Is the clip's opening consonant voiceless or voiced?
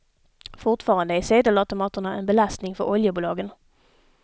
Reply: voiceless